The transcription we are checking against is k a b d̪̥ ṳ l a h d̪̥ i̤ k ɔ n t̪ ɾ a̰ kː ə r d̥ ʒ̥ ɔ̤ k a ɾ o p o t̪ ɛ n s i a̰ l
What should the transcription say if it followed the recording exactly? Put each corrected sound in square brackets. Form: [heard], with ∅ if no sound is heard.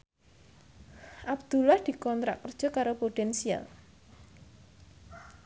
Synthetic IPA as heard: [ʔ] a b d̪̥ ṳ l a h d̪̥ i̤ k ɔ n t̪ ɾ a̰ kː ə r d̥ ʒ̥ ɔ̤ k a ɾ o p o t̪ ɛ n s i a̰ l